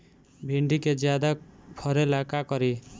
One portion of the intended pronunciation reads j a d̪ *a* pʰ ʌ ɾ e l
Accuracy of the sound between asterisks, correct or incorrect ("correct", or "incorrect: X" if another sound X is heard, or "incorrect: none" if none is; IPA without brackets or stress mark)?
correct